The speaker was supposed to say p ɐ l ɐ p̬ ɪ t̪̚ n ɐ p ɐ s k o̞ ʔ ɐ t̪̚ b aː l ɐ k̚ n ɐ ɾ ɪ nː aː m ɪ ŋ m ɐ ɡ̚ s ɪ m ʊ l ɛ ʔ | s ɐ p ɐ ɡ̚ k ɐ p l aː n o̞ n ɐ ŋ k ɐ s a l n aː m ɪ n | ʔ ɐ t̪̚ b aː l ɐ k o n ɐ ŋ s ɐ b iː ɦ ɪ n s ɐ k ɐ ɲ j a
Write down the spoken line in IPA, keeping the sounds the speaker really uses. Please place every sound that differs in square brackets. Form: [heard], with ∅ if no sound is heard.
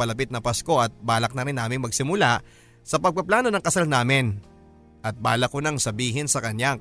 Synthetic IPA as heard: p ɐ l ɐ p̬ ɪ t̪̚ n ɐ p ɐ s k o̞ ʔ ɐ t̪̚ b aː l ɐ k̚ n ɐ ɾ ɪ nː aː m ɪ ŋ m ɐ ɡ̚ s ɪ m ʊ l [a] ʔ | s ɐ p ɐ ɡ̚ [p] ɐ p l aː n o̞ n ɐ ŋ k ɐ s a l n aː m ɪ n | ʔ ɐ t̪̚ b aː l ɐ k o n ɐ ŋ s ɐ b iː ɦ ɪ n s ɐ k ɐ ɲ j a